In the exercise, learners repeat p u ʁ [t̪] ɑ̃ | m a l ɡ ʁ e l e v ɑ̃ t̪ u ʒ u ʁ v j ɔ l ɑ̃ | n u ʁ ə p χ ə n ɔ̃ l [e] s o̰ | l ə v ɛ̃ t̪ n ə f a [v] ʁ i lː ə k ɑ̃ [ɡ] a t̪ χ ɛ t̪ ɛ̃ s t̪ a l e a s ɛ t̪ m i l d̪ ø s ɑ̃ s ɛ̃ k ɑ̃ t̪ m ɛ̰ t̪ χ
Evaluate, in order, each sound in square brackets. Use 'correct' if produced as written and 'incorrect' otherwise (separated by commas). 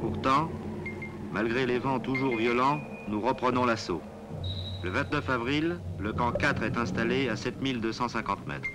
correct, incorrect, correct, incorrect